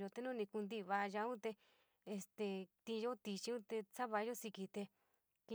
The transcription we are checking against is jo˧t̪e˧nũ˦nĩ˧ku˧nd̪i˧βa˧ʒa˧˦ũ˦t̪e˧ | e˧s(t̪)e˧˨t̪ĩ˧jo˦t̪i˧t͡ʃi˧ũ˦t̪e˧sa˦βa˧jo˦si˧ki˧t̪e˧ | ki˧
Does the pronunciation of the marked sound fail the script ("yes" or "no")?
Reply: no